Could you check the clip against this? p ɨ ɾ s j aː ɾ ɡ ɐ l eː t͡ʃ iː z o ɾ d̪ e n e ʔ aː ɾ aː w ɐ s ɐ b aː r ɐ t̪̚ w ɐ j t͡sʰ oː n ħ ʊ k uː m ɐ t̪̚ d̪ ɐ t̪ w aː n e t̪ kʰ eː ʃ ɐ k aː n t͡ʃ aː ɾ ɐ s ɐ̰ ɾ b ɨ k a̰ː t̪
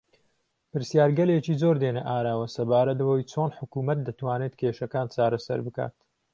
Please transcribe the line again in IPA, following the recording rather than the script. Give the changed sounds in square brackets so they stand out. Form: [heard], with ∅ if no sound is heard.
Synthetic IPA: p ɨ ɾ s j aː ɾ ɡ ɐ l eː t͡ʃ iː z o ɾ d̪ e n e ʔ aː ɾ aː w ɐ s ɐ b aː [ɾ] ɐ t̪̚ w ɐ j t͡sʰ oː n ħ ʊ k uː m ɐ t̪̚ d̪ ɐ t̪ w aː n e t̪ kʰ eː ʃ ɐ k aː n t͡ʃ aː ɾ ɐ s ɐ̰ ɾ b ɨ k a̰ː t̪